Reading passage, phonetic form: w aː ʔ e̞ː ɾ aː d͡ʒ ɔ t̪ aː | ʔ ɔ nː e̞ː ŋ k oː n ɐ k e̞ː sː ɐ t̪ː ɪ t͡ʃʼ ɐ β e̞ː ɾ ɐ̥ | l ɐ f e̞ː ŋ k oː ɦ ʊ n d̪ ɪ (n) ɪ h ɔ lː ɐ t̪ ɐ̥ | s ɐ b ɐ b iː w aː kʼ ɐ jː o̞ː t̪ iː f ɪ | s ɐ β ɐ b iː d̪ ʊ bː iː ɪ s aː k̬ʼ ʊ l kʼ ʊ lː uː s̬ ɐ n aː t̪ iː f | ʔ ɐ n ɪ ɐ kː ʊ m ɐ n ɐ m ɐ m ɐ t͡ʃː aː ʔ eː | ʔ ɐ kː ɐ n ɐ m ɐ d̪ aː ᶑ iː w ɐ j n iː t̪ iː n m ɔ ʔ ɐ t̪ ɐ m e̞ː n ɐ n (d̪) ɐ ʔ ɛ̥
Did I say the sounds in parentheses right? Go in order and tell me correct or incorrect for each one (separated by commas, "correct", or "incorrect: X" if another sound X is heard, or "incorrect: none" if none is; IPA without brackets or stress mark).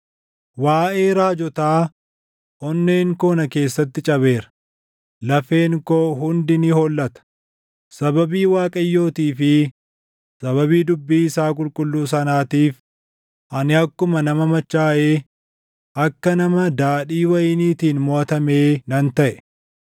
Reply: correct, incorrect: t̪